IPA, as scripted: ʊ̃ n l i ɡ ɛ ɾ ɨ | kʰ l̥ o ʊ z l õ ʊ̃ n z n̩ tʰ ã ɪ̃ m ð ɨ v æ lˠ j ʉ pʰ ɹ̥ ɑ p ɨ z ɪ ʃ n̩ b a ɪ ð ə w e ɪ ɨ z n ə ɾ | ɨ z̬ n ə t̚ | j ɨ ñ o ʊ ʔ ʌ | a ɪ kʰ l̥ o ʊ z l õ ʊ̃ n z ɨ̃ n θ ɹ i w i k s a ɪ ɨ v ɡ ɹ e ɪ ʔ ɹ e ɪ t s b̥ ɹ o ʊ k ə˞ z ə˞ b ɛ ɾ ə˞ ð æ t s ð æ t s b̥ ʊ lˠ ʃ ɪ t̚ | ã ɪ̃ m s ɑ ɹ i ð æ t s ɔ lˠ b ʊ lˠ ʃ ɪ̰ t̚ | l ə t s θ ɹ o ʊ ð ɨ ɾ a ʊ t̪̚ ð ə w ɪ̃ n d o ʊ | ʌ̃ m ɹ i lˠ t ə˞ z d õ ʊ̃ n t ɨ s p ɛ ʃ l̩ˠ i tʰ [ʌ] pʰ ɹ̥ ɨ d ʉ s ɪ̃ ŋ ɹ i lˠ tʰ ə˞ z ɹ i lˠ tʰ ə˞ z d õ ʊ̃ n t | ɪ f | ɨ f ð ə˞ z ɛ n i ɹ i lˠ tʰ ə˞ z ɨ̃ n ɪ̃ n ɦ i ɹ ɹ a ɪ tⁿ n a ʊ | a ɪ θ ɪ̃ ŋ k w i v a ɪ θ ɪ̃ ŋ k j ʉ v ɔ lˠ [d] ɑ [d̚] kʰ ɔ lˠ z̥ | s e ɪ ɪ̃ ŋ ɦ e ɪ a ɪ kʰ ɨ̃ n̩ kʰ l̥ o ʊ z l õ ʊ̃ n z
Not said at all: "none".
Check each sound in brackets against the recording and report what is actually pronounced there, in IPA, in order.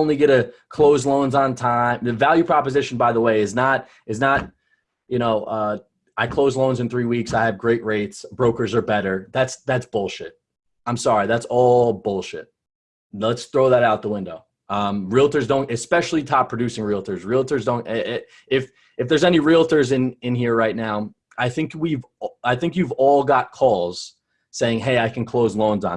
ɑ, ɡ, t̚

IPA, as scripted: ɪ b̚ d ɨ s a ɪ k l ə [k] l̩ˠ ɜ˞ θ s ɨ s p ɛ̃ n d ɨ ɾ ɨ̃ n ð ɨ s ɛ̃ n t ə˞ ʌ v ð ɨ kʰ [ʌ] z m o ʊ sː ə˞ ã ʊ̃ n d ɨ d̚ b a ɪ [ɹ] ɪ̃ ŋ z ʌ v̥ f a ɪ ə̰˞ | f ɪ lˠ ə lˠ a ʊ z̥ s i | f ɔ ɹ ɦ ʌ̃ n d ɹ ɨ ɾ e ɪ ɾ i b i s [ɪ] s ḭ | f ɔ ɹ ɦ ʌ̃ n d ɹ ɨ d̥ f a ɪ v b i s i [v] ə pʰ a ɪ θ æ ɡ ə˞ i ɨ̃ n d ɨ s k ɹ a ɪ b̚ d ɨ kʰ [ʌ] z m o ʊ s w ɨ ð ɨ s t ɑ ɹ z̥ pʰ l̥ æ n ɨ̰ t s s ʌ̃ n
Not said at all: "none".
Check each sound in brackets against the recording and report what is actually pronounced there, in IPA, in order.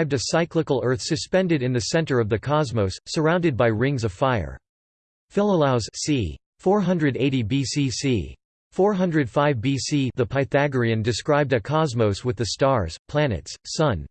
k, ɑ, ɹ, i, ð, ɑ

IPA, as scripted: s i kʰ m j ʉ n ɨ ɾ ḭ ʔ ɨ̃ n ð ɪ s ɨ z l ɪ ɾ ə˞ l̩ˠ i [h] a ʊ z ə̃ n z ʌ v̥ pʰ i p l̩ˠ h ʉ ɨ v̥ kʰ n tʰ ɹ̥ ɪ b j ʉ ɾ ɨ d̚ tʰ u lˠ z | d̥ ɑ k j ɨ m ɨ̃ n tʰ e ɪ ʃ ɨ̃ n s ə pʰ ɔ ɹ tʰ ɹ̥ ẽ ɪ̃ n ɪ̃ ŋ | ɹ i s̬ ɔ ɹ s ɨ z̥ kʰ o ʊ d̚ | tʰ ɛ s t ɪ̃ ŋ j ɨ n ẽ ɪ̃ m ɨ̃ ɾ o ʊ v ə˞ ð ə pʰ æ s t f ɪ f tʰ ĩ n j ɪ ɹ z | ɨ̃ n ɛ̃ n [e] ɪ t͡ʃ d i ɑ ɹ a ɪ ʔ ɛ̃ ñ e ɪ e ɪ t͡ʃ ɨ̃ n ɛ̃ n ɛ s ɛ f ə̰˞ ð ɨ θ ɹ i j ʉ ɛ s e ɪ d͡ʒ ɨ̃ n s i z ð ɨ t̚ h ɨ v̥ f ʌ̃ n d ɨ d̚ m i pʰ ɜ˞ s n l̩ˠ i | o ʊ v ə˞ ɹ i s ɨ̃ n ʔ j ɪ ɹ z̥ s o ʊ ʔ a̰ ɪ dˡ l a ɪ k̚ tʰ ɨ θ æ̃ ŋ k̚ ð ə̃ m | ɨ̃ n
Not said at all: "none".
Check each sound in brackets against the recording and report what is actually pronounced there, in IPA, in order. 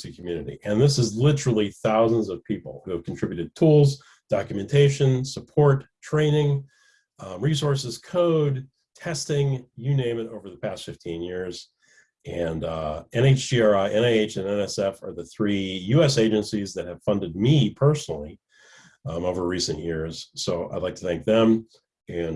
θ, e

